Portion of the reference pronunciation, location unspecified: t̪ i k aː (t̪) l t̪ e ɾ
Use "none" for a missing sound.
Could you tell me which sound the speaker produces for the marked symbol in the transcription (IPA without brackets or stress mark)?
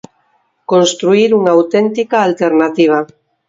none